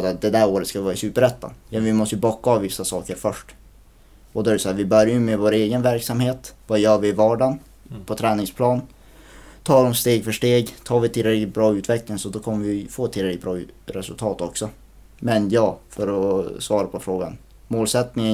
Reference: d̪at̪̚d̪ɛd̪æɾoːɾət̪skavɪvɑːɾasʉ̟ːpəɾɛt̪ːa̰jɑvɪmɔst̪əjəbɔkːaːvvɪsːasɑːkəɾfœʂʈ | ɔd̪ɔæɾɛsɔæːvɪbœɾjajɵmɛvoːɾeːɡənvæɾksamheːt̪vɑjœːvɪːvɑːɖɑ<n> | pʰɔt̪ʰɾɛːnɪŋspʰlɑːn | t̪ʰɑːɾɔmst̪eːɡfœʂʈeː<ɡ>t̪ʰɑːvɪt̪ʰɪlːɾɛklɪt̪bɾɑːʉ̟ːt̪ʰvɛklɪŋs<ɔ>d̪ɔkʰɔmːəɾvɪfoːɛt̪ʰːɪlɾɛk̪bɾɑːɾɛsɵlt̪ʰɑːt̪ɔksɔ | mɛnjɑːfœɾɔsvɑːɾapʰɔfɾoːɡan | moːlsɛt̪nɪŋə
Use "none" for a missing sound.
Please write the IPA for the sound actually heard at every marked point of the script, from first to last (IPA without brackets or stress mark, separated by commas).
n, ɡ, ɔ